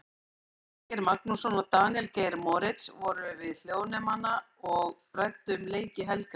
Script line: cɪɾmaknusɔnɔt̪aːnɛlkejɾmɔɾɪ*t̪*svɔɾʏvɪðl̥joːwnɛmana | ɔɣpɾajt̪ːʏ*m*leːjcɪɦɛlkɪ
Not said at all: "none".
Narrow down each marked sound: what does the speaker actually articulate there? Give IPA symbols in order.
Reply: t̪, m

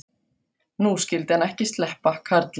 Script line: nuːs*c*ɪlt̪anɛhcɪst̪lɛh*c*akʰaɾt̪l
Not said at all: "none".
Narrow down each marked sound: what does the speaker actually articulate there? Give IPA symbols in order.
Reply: c, p

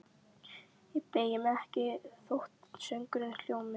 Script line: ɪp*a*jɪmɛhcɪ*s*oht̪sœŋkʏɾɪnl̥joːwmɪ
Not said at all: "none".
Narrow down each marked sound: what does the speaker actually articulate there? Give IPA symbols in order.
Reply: e, θ

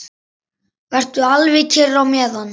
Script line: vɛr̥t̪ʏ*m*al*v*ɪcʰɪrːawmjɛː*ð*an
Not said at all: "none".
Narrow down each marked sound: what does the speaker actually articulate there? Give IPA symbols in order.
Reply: none, v, ð

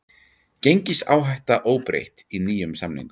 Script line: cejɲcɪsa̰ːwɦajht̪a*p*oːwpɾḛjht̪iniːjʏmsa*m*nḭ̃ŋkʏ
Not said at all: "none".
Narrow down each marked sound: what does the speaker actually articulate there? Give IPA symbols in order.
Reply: ʔ, m

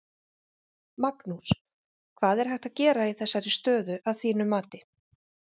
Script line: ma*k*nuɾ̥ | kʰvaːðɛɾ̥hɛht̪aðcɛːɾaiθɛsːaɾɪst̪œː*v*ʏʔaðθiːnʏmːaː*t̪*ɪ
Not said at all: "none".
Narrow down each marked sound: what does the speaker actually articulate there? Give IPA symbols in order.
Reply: k, ð, t̪

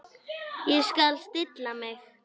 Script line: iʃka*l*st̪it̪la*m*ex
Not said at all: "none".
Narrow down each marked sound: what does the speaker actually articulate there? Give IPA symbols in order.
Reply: l, m

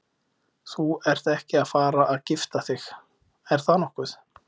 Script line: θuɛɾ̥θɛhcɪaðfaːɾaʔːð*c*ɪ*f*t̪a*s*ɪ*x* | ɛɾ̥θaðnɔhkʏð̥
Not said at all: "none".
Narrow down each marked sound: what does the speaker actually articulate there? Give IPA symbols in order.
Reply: c, f, θ, x

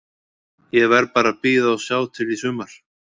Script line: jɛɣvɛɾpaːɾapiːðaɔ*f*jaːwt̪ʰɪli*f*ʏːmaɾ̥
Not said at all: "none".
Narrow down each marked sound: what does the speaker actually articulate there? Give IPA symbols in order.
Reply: s, s

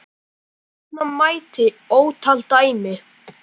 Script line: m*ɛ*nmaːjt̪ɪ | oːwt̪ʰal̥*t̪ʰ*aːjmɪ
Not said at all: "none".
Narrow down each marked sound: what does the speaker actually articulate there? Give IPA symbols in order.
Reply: a, t̪

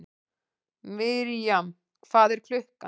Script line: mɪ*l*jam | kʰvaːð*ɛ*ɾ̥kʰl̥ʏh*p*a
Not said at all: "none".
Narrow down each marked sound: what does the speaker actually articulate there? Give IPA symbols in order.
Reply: ɾ, ɛ, k

